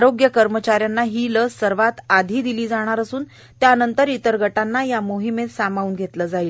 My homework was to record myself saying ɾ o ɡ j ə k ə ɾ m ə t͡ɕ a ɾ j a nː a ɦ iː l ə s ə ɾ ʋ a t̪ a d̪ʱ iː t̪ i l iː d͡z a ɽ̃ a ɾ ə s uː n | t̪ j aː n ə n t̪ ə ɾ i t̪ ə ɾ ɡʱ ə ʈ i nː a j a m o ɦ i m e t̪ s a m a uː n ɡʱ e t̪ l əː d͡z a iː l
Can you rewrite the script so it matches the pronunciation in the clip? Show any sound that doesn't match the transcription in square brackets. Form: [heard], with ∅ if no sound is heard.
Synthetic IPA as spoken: ɾ o ɡ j ə k ə ɾ m ə t͡ɕ a ɾ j a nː a ɦ iː l ə s ə ɾ ʋ a t̪ a d̪ʱ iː [d̪] i l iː d͡z a ɽ̃ a ɾ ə s uː n | t̪ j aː n ə n t̪ ə ɾ i t̪ ə ɾ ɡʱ ə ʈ [a] nː a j a m o ɦ i m e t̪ s a m a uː n ɡʱ e t̪ l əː d͡z a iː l